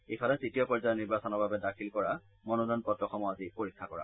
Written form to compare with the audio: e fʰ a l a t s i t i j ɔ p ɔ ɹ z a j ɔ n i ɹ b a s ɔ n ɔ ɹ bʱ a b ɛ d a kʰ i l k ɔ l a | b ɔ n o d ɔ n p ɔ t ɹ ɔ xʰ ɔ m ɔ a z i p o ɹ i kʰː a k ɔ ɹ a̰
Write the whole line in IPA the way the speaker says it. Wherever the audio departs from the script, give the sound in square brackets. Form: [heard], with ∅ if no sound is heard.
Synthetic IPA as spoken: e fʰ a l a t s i t i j ɔ p ɔ ɹ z a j ɔ n i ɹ b a s ɔ n ɔ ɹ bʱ a b ɛ d a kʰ i l k ɔ [ɹ] a | [m] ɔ n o d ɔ n p ɔ t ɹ ɔ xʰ ɔ m ɔ a z i p o ɹ i kʰː a k ɔ ɹ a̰